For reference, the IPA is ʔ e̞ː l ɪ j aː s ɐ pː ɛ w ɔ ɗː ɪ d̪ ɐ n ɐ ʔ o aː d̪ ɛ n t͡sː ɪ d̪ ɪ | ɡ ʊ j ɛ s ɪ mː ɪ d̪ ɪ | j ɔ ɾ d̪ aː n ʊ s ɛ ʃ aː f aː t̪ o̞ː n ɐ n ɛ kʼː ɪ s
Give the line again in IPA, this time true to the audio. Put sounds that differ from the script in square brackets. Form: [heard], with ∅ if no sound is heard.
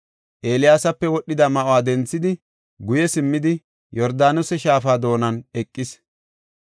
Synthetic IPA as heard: ʔ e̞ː l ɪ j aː s ɐ pː ɛ w ɔ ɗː ɪ d̪ ɐ [m] ɐ ʔ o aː d̪ ɛ n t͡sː ɪ d̪ ɪ | ɡ ʊ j ɛ s ɪ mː ɪ d̪ ɪ | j ɔ ɾ d̪ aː n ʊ s ɛ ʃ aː f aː [d̪] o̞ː n ɐ n ɛ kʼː ɪ s